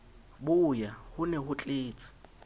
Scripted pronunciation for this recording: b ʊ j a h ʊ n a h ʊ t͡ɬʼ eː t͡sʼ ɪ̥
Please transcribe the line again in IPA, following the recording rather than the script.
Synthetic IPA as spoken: b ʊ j a h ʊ n ɛ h ʊ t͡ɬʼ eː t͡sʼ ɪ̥